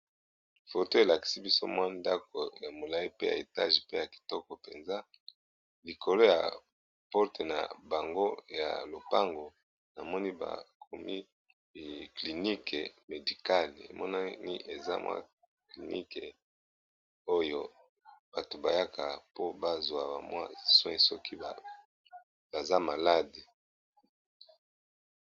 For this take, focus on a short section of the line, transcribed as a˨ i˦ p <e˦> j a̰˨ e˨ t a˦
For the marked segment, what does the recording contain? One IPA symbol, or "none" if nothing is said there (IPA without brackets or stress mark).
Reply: e˦